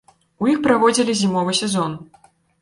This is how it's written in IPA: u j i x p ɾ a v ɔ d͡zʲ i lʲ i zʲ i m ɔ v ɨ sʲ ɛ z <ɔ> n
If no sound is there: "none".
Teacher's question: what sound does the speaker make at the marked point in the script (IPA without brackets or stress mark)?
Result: ɔ